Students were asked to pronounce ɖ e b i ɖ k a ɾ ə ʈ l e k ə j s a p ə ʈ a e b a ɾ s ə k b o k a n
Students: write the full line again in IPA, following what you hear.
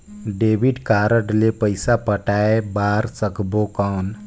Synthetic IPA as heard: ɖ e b i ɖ k a ɾ ə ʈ l e p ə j s a p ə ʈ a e b a ɾ s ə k b o k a n